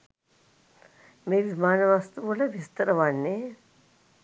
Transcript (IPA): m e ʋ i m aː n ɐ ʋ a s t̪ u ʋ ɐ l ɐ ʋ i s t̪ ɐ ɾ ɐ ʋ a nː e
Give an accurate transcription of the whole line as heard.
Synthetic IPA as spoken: m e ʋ i m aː n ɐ ʋ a s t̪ u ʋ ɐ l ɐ ʋ i s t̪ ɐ ɾ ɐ ʋ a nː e